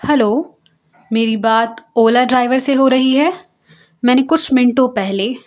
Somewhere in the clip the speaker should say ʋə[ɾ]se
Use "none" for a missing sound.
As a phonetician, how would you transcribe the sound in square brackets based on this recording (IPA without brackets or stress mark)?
ɾ